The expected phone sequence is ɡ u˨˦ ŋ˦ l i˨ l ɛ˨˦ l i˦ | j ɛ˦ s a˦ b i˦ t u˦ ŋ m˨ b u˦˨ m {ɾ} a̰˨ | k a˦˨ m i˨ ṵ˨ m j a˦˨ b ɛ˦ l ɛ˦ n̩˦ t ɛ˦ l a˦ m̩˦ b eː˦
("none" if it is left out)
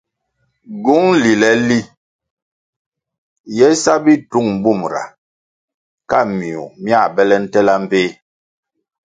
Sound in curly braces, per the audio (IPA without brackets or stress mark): ɾ